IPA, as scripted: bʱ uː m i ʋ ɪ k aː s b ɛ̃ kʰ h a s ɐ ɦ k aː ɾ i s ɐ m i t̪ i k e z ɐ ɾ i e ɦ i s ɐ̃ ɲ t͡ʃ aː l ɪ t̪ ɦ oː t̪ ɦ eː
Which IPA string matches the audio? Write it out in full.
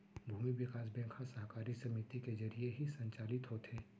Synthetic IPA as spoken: bʱ uː m i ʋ ɪ k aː s b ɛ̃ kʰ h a s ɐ ɦ k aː ɾ i s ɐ m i t̪ i k e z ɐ ɾ i e ɦ i s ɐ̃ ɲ t͡ʃ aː l ɪ t̪ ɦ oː t̪ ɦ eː